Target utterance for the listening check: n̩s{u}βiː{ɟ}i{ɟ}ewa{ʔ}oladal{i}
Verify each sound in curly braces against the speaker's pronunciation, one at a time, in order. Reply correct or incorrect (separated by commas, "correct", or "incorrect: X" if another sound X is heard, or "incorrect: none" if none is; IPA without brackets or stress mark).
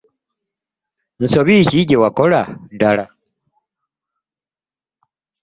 incorrect: o, incorrect: c, correct, incorrect: k, incorrect: a